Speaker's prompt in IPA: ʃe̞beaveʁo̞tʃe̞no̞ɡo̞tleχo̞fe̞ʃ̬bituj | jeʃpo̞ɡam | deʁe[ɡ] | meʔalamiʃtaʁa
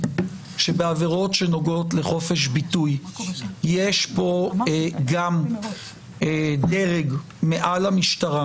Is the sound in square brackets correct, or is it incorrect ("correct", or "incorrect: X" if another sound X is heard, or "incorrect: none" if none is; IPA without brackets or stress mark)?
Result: correct